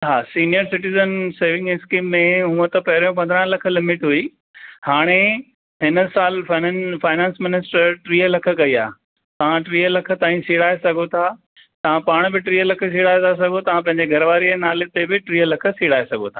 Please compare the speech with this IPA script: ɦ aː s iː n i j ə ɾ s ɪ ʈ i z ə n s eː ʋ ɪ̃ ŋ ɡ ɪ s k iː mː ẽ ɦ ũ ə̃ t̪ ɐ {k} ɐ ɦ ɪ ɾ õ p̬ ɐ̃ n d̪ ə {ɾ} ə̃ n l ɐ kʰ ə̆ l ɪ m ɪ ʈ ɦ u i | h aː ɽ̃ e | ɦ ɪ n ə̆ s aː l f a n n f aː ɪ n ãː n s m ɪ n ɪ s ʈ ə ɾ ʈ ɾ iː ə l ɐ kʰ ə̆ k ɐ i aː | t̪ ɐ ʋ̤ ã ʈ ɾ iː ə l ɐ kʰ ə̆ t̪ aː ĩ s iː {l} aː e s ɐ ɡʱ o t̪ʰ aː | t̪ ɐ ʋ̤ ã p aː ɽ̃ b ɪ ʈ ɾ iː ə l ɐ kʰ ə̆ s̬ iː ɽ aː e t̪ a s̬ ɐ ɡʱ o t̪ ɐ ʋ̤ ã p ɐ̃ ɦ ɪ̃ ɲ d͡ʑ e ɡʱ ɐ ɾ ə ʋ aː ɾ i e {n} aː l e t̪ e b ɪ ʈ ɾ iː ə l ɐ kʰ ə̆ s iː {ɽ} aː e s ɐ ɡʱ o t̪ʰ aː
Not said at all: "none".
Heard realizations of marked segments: p, ɾ, ɽ, n, ɽ

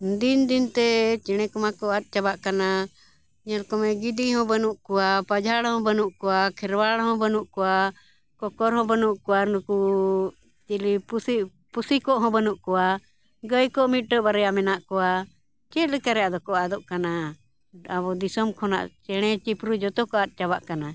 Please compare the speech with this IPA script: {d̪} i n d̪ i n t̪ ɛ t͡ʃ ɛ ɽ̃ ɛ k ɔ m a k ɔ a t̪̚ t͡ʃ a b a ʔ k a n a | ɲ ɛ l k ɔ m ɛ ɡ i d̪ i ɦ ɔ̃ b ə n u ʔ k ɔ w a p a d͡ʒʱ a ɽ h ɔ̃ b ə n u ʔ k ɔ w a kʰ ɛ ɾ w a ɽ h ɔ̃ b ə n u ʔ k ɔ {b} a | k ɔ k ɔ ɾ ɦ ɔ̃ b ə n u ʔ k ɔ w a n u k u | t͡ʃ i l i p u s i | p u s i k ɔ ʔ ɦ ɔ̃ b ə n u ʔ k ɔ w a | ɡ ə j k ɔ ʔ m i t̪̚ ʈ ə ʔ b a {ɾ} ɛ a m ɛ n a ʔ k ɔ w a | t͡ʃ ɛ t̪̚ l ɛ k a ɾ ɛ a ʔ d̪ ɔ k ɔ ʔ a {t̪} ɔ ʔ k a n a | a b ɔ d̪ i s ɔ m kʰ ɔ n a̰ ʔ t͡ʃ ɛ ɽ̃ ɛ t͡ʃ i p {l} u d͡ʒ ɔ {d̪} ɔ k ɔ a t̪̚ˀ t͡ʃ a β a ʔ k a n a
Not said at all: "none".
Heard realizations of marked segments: d̪, w, ɾ, d̪, ɾ, t̪

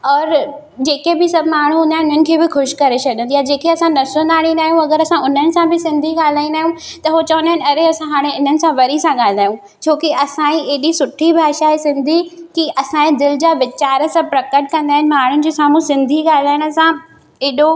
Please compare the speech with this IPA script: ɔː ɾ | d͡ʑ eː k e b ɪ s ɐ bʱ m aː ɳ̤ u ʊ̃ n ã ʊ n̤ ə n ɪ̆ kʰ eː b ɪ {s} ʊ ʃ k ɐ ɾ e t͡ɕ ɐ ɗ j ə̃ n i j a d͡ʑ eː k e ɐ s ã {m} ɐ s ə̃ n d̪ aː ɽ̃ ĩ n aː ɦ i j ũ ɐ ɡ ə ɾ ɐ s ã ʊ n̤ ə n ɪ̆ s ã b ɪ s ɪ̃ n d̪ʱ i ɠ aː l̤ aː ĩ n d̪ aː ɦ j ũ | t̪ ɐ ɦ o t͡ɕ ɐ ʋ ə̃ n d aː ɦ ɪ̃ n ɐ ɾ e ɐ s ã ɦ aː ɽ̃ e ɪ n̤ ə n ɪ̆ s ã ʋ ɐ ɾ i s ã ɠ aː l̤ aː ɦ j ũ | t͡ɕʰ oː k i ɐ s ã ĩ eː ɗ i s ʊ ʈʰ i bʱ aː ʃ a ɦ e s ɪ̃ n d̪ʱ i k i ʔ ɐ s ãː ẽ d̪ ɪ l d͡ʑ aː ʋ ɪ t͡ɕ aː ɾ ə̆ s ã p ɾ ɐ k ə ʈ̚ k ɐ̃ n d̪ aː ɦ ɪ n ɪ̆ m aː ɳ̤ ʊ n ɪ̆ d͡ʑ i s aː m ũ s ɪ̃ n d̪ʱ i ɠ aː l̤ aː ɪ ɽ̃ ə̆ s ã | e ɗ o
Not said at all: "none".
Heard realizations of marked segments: x, n

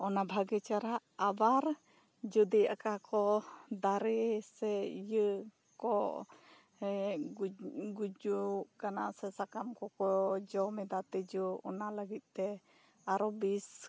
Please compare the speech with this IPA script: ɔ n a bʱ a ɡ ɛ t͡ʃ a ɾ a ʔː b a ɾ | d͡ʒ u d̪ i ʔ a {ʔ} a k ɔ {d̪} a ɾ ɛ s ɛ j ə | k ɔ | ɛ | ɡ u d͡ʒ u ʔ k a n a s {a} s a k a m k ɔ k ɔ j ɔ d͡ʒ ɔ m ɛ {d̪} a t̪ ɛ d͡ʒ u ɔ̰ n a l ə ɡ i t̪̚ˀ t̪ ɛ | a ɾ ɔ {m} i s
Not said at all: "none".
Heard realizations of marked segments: k, d̪, ɛ, d̪, b

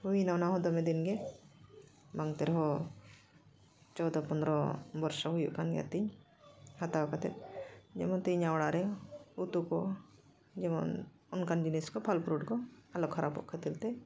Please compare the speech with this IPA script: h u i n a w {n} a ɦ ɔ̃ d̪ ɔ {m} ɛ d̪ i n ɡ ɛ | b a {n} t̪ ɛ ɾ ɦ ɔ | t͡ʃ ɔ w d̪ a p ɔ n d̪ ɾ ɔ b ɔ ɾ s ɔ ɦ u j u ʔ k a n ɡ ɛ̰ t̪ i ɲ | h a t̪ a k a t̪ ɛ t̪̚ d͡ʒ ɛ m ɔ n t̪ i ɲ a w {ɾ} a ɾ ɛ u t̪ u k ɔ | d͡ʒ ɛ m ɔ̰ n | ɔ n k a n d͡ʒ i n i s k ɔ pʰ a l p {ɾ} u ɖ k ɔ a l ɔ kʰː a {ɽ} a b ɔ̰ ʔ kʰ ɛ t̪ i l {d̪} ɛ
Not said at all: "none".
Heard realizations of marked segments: n, m, ŋ, ɽ, ɾ, ɾ, t̪

